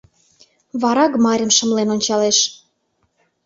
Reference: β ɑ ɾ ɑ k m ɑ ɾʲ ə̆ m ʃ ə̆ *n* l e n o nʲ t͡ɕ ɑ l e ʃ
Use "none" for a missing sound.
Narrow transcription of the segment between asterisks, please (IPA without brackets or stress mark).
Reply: m